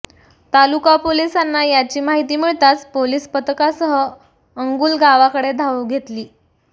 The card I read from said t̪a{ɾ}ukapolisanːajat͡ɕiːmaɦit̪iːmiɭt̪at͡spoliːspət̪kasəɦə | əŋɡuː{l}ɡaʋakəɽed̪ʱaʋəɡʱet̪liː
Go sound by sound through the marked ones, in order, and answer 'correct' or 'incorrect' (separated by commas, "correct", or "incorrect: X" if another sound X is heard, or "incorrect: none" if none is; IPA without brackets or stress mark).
incorrect: l, correct